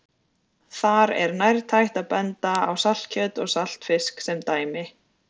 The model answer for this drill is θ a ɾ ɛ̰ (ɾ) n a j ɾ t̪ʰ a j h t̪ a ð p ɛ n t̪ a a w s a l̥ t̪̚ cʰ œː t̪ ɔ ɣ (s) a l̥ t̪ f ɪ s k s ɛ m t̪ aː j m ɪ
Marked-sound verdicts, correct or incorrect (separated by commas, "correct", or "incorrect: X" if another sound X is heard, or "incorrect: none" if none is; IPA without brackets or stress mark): correct, correct